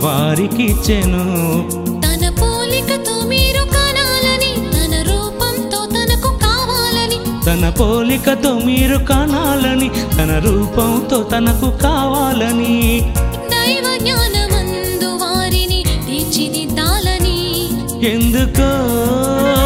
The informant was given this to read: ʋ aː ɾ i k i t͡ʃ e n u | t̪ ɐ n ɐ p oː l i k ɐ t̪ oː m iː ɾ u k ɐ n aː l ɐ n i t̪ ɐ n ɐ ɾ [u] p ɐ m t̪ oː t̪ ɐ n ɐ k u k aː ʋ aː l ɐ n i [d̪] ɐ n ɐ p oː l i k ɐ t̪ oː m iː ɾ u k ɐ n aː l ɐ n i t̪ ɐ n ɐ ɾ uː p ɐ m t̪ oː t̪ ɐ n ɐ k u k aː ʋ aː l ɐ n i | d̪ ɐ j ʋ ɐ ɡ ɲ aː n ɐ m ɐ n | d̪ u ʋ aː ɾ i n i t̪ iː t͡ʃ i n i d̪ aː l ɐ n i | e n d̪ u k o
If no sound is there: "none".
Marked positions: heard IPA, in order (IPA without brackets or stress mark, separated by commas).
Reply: uː, t̪